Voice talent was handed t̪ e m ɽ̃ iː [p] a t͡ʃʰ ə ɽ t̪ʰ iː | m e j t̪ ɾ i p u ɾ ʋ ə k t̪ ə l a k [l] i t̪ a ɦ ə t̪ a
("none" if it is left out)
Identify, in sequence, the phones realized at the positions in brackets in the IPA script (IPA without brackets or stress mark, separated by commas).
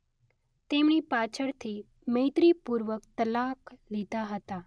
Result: p, l